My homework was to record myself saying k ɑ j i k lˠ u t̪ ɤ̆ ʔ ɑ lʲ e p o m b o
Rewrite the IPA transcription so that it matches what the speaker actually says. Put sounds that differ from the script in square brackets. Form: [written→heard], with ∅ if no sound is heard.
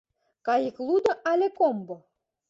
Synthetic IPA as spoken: k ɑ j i k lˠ u [t̪→d̪] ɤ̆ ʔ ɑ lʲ e [p→k] o m b o